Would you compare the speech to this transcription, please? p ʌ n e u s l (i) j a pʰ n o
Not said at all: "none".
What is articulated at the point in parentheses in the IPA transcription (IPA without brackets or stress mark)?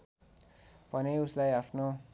a